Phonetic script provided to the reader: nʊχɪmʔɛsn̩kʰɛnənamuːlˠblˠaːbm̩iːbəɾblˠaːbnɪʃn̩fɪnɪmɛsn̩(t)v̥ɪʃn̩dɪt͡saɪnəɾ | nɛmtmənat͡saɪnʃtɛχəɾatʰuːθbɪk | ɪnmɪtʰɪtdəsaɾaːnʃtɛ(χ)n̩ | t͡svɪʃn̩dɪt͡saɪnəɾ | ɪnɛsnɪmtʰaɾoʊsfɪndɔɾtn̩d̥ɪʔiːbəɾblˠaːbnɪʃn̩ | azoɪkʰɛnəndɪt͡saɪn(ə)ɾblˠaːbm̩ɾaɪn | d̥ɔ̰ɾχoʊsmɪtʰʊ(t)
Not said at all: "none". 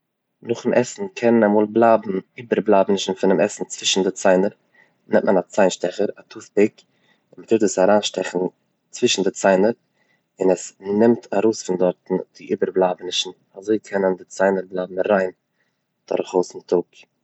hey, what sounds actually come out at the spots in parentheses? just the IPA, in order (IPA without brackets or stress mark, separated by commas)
t͡s, χ, ə, k